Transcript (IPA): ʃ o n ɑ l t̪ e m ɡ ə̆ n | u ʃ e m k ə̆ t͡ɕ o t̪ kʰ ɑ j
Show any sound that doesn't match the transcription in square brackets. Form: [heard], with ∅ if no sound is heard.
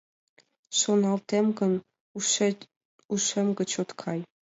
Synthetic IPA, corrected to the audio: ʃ o n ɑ l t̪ e m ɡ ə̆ n | u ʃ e m [ɡ] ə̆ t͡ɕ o t̪ kʰ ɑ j